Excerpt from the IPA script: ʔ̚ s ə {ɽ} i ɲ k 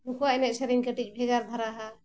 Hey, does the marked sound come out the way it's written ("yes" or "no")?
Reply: no